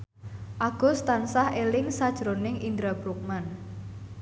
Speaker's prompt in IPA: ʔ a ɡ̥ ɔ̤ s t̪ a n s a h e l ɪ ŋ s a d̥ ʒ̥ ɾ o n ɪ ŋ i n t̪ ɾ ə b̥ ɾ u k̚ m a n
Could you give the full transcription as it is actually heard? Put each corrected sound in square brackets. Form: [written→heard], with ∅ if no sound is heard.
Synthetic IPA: ʔ a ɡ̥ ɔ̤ s t̪ a n s a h e l ɪ ŋ s a d̥ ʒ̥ ɾ o n ɪ ŋ i n [t̪→d̪] ɾ [ə→a] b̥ ɾ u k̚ m a n